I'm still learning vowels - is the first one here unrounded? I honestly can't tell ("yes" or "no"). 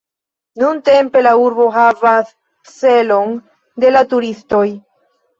no